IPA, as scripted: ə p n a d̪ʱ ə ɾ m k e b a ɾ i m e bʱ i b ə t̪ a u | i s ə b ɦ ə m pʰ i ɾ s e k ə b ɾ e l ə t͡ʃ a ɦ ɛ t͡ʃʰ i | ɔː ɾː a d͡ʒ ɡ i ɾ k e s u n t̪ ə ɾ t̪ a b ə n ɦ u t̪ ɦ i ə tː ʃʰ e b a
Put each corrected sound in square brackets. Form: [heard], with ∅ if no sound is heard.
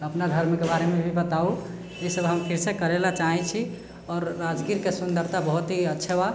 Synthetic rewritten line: ə p n a d̪ʱ ə ɾ m k e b a ɾ [e] m e bʱ i b ə t̪ a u | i s ə b ɦ ə m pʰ i ɾ s e k ə [∅] ɾ e l [a] t͡ʃ a ɦ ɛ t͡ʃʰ i | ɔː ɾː a d͡ʒ ɡ i ɾ k e s u n [d̪] ə ɾ t̪ a b ə [∅] ɦ u t̪ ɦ i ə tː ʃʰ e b a